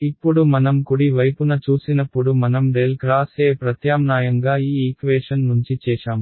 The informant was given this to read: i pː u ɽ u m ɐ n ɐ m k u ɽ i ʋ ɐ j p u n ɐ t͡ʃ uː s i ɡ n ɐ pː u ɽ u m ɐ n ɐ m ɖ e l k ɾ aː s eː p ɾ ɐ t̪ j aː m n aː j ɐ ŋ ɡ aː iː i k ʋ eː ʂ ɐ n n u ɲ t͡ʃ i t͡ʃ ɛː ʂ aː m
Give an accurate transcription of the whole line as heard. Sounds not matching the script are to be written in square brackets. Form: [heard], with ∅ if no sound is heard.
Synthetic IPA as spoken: i pː u ɽ u m ɐ n ɐ m k u ɽ i ʋ ɐ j p u n ɐ t͡ʃ uː s i [∅] n ɐ pː u ɽ u m ɐ n ɐ m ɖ e l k ɾ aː s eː p ɾ ɐ t̪ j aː m n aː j ɐ ŋ ɡ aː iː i k ʋ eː ʂ ɐ n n u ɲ t͡ʃ i t͡ʃ ɛː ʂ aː m